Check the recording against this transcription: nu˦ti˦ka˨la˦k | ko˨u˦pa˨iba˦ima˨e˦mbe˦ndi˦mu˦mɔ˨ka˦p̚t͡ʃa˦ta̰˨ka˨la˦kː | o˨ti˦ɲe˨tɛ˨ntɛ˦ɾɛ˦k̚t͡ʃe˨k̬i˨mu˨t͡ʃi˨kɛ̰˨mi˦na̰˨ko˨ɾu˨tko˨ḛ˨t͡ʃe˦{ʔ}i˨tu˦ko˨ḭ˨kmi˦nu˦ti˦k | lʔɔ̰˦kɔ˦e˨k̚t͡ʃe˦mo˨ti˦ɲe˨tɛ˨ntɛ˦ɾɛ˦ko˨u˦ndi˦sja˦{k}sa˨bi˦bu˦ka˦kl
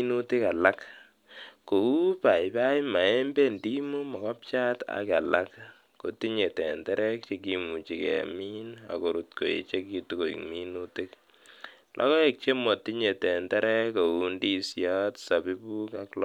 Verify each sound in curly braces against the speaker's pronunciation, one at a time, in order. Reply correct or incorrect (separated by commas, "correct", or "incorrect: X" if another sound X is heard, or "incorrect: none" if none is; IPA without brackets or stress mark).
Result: incorrect: k, incorrect: t